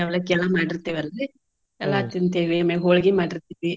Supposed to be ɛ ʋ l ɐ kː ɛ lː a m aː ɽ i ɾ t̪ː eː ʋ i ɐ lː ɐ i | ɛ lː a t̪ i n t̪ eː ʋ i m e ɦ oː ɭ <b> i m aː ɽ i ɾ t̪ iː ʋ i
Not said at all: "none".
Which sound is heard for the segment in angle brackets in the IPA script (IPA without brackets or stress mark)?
ɡ